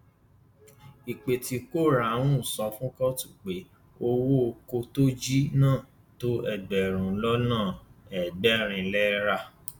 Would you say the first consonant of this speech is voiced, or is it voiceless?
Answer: voiceless